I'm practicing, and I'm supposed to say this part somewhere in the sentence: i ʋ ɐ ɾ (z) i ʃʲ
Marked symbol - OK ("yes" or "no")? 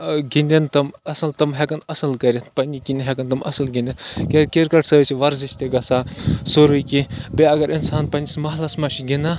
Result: yes